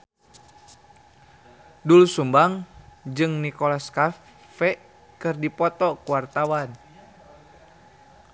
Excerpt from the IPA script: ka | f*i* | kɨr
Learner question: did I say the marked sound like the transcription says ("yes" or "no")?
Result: no